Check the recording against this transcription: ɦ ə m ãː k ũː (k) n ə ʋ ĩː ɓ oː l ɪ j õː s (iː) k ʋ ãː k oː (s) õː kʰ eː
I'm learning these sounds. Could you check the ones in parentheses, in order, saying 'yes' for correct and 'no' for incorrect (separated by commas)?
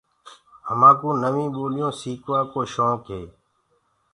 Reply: no, yes, no